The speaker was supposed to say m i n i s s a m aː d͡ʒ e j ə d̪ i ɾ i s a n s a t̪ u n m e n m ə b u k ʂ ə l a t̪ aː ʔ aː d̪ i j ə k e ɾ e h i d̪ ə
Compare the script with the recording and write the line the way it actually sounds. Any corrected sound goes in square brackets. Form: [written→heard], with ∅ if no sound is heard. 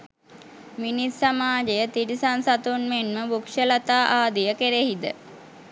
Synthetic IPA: m i n i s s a m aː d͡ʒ e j ə [d̪→t̪] i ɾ i s a n s a t̪ u n m e n m ə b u k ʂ ə l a t̪ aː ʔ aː d̪ i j ə k e ɾ e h i d̪ ə